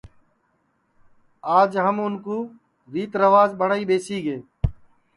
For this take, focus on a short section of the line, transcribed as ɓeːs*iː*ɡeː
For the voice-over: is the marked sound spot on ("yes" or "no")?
yes